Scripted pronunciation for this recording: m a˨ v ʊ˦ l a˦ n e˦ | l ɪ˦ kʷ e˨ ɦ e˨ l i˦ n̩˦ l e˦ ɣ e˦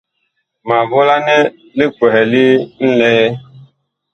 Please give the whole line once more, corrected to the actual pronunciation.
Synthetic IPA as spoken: m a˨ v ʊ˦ l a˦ n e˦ | l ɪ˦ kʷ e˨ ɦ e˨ l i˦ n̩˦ l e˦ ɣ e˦

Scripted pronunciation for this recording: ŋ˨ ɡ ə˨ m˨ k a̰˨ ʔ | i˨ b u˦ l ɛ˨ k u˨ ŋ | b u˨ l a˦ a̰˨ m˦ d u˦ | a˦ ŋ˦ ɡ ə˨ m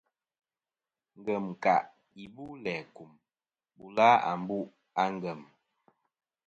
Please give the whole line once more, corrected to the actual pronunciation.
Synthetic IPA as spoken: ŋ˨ ɡ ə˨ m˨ k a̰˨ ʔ | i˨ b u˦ l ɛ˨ k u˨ m | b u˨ l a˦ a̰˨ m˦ b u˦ | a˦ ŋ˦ ɡ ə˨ m

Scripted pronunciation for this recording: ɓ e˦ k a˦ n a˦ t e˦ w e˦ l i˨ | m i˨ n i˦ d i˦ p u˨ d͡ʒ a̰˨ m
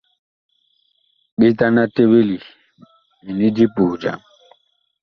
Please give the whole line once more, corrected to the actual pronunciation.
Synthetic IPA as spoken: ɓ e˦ t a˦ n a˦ t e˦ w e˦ l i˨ | m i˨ n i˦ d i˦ p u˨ d͡ʒ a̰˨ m

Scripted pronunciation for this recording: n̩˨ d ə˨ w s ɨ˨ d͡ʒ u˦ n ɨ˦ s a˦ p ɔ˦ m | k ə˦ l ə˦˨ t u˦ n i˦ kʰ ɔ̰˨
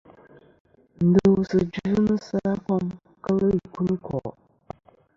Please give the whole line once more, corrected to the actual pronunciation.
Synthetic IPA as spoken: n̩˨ d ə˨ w s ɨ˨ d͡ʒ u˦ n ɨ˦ s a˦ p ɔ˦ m | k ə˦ l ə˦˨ k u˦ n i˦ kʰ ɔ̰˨

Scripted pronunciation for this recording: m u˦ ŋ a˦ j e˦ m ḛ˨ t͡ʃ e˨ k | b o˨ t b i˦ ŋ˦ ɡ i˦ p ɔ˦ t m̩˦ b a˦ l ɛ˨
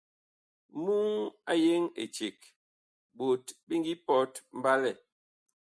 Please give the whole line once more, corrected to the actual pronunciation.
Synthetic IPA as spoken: m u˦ ŋ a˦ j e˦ ŋ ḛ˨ t͡ʃ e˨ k | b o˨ t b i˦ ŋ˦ ɡ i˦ p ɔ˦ t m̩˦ b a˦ l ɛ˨

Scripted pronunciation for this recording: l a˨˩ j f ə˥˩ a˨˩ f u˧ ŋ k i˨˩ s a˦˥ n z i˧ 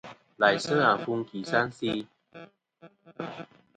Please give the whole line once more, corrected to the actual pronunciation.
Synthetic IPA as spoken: l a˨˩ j s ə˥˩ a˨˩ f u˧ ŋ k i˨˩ s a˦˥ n s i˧

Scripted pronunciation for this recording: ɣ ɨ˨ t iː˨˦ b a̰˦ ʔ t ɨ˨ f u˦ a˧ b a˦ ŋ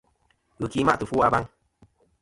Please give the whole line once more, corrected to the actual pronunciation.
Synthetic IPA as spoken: ɣ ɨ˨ k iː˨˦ m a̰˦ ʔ t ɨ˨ f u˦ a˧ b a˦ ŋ

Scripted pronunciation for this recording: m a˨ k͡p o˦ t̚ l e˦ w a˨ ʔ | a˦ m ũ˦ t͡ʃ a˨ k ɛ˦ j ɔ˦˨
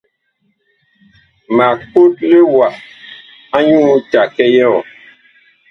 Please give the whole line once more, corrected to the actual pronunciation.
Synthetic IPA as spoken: m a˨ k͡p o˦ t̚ l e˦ w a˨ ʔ | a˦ ɲ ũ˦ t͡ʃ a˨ k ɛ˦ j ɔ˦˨

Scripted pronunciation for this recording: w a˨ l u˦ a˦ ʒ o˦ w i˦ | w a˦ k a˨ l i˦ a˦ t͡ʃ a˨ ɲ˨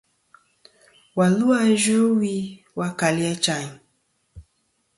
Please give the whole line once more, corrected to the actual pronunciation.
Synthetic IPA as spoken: w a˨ l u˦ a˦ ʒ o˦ w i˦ | w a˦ k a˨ l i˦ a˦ t͡ʃ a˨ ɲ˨

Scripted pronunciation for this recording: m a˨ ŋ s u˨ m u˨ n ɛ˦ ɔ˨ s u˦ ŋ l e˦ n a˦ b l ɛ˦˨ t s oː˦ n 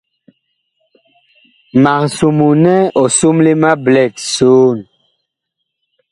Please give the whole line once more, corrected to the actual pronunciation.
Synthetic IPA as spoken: m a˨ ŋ s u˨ m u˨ n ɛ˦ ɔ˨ s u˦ m l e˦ m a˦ b l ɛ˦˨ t s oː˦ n

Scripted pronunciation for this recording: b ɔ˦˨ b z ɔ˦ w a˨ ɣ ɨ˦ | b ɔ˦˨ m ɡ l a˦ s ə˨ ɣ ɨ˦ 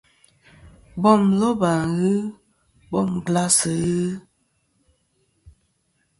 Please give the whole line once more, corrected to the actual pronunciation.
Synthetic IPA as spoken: b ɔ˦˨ m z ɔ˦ b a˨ ɣ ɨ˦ | b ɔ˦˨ m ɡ l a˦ s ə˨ ɣ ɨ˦

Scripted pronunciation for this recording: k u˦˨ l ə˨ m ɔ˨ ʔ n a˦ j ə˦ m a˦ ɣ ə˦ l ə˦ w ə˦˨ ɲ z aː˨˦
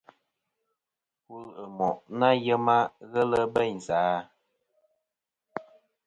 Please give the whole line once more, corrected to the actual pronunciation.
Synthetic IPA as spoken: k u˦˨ l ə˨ m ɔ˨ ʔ n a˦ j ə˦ m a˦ ɣ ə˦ l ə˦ b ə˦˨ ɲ z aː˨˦

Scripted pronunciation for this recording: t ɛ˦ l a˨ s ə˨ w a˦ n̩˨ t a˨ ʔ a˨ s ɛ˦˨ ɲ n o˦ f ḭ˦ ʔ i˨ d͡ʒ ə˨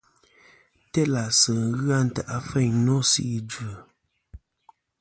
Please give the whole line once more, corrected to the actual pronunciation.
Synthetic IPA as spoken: t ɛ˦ l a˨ s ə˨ ɣ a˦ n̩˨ t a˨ ʔ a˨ f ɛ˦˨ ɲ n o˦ s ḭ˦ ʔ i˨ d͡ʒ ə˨

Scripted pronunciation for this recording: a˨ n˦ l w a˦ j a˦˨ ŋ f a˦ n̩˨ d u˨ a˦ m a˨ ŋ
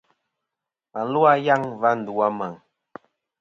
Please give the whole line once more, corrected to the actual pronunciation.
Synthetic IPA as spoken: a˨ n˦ l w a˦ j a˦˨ ŋ v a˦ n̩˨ d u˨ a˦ m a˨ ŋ

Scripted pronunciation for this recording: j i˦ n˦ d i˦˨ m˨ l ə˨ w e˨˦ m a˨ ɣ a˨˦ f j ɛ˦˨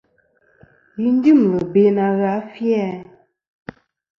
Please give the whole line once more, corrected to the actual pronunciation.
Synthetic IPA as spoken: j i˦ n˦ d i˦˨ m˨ l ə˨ b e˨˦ n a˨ ɣ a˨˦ f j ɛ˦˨

